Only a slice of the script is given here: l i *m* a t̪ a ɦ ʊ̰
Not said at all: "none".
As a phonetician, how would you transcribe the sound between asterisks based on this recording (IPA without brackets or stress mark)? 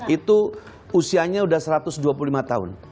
m